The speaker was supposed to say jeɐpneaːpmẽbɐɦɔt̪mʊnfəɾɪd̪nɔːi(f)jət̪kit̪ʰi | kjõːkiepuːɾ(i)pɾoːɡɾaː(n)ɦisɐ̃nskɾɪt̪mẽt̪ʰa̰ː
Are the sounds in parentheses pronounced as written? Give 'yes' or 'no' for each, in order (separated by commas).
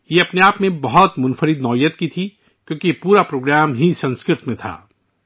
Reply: no, no, no